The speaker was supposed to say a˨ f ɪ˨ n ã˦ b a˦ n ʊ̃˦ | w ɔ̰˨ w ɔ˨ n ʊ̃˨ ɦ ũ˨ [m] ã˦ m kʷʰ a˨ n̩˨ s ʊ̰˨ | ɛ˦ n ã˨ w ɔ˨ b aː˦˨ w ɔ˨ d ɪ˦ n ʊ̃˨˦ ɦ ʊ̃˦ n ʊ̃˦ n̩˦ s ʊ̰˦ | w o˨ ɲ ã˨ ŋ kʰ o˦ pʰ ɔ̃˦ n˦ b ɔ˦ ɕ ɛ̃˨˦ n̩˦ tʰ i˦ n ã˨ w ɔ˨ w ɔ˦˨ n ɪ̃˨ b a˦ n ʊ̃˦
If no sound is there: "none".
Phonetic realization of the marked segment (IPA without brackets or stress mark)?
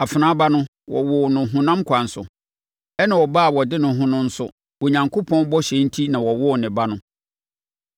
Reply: n